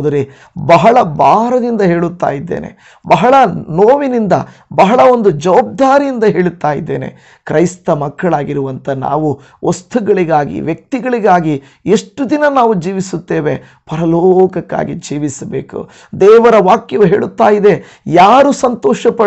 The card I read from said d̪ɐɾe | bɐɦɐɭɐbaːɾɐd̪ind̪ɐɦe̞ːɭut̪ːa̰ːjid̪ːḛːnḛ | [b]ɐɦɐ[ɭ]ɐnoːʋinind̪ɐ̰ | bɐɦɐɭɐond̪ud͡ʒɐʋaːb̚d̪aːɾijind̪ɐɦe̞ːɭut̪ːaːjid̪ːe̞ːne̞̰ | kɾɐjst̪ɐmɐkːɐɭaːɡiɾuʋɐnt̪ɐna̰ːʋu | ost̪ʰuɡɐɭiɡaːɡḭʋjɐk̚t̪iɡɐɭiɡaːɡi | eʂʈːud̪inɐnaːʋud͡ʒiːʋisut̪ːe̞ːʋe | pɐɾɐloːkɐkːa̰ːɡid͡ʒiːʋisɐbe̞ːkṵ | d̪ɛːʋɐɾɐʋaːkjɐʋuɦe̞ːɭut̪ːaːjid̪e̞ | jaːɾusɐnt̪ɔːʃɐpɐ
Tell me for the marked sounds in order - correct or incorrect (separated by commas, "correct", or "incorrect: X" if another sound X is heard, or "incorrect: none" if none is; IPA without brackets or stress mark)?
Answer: correct, correct